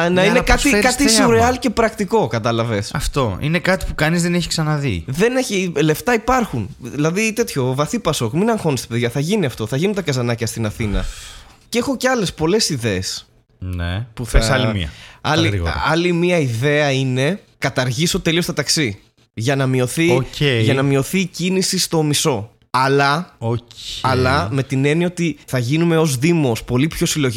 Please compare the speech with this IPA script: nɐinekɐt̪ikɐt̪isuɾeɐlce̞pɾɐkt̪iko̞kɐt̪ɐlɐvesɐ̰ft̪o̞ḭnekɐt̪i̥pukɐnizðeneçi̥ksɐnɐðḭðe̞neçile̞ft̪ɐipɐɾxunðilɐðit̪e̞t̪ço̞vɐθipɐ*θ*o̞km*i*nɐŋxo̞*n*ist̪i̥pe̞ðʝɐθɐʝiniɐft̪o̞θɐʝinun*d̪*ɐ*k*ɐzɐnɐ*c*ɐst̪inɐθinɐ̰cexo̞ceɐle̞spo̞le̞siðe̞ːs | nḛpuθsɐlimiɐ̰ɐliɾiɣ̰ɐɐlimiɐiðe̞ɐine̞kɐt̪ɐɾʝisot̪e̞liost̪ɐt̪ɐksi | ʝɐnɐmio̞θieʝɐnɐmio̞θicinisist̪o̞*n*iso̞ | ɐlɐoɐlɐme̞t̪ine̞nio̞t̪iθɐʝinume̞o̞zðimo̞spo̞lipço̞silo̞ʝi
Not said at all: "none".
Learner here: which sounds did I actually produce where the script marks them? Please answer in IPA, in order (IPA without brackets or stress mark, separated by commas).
s, i, n, t̪, k, c, m